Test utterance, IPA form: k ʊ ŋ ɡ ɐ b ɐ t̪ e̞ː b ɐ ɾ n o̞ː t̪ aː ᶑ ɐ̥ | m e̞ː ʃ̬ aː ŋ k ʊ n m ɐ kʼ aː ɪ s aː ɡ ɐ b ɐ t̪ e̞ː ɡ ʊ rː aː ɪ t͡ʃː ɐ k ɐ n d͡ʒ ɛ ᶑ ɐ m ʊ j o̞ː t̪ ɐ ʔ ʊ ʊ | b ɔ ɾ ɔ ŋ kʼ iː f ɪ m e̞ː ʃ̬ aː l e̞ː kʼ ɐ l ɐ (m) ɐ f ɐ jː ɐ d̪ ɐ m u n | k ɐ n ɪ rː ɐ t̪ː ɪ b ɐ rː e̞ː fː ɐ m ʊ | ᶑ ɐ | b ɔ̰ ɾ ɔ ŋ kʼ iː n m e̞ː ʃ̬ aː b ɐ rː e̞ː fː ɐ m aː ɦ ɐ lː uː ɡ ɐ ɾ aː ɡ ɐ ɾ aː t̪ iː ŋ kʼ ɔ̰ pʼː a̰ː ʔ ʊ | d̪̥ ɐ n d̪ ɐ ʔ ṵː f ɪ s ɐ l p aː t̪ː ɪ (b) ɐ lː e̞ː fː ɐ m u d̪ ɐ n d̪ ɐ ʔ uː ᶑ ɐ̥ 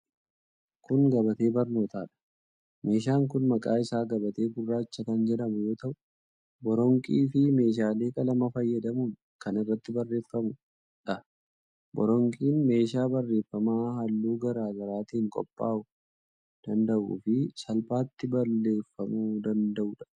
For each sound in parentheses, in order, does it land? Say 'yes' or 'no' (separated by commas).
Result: yes, yes